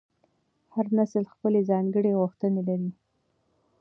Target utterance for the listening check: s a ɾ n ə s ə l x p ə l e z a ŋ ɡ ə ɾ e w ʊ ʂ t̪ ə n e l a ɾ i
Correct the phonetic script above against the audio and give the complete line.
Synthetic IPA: h a ɾ n a s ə l x p ə l e z ɑ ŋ ɡ ə ɽ e ɣ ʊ x t̪ ə n e l a ɾ i